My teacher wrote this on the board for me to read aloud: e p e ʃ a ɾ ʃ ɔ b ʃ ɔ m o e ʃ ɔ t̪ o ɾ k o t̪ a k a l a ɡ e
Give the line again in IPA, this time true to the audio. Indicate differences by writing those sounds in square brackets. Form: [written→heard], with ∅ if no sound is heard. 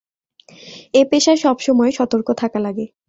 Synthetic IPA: e p e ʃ a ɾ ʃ ɔ b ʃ ɔ m [o→ɔ] e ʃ ɔ t̪ o ɾ k o [t̪→t̪ʰ] a k a l a ɡ e